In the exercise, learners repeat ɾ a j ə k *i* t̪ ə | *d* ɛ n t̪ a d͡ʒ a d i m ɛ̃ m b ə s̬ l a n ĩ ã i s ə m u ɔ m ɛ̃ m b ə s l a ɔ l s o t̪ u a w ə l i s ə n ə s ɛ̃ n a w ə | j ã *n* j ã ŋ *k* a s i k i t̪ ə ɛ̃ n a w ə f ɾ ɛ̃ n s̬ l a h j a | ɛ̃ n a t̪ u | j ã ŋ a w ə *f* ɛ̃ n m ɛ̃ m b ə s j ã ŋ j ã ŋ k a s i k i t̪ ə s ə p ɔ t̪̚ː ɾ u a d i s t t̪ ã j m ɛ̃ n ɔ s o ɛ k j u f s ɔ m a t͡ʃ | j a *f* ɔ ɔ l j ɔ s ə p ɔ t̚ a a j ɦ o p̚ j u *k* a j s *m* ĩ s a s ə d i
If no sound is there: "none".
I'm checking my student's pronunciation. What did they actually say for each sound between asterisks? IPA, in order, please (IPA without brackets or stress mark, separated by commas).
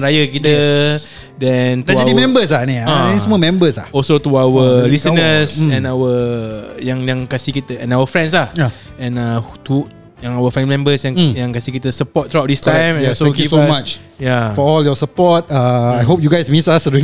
i, d, ŋ, k, f, f, ɡ, m